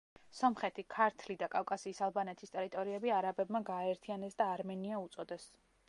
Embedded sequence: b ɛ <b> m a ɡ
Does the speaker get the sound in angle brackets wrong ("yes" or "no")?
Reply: no